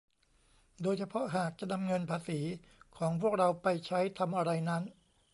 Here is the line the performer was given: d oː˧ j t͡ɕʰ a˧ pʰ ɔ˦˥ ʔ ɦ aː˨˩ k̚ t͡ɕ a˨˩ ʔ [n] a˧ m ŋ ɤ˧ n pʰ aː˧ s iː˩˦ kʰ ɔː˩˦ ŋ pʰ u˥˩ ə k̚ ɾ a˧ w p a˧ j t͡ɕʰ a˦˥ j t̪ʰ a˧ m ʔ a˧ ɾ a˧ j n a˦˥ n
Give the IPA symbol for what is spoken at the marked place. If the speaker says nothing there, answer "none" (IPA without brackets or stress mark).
n